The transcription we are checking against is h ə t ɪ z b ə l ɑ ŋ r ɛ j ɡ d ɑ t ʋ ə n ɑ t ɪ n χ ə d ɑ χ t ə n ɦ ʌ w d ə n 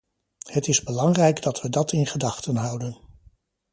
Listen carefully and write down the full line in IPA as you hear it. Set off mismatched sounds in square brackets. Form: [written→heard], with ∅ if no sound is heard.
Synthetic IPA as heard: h ə t ɪ z b ə l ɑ ŋ r ɛ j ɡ d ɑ t ʋ ə [n→d] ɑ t ɪ n χ ə d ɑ χ t ə n ɦ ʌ w d ə n